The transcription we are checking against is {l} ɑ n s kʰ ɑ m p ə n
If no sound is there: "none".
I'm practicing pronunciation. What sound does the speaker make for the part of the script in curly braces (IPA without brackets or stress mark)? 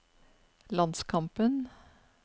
l